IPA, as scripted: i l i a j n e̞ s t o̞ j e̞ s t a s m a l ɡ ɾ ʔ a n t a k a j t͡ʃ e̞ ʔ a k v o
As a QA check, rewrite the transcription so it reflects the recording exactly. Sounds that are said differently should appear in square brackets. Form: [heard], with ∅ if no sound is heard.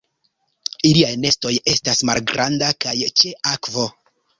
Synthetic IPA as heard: i l i a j n e̞ s t o̞ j e̞ s t a s m a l ɡ ɾ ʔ a n [d] a k a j t͡ʃ e̞ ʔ a k v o